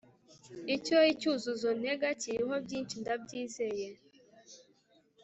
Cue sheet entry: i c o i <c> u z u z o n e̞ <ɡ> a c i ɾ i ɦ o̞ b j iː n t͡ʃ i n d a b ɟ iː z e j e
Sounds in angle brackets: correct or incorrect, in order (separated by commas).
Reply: correct, correct